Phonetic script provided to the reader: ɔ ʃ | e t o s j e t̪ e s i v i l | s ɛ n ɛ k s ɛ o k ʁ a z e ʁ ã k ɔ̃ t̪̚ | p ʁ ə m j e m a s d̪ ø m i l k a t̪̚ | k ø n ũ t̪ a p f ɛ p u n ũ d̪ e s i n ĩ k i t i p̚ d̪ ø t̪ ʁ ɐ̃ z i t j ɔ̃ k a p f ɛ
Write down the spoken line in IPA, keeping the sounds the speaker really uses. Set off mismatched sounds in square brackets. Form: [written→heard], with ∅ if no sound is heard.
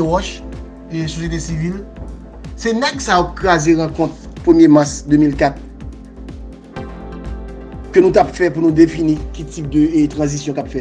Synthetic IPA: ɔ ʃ | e [t→s] o s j e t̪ e s i v i l | s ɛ n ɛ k s [ɛ→a] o k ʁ a z e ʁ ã k ɔ̃ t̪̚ | p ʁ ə m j e m a s d̪ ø m i l k a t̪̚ | k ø n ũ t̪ a p f ɛ p u n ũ d̪ e [s→f] i n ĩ k i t i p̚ d̪ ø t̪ ʁ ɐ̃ z i [t→s] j ɔ̃ k a p f ɛ